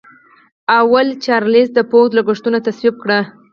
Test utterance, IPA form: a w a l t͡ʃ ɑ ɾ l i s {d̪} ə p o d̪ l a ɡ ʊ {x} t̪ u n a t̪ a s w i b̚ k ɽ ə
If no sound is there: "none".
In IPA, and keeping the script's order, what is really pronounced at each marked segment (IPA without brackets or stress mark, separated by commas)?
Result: d̪, ʂ